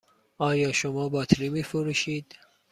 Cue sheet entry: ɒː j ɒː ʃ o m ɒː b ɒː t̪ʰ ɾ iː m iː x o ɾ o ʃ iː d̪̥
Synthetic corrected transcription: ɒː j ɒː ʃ o m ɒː b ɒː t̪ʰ ɾ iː m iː f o ɾ u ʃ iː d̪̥